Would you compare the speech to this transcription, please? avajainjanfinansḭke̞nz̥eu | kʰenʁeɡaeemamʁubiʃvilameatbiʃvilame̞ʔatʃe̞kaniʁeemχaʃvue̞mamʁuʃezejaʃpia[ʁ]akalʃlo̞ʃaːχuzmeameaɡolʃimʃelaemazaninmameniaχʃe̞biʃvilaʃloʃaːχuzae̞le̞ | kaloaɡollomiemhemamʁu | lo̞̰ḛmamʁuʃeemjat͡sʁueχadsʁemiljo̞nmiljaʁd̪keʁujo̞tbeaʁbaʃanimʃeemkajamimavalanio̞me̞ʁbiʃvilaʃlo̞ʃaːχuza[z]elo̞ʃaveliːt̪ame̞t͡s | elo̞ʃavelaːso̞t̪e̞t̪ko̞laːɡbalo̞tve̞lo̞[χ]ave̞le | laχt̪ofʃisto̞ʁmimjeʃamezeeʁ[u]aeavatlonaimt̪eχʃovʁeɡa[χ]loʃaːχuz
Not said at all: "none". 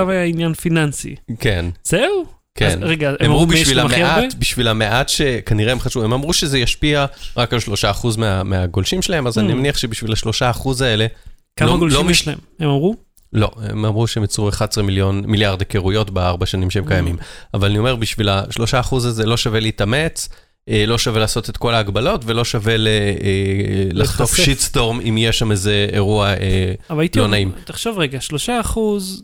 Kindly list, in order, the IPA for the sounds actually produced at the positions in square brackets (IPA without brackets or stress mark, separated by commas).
ʁ, z, ʃ, u, ʃ